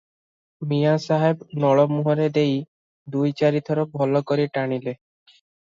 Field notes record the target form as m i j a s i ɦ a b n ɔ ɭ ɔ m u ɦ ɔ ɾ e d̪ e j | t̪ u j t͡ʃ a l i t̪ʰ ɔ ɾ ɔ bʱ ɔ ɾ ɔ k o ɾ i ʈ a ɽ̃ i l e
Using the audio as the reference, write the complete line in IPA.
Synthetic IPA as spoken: m i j a s a ɦ e b n ɔ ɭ ɔ m u ɦ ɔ ɾ e d̪ e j | d̪ u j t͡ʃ a ɾ i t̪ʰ ɔ ɾ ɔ bʱ ɔ l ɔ k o ɾ i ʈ a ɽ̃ i l e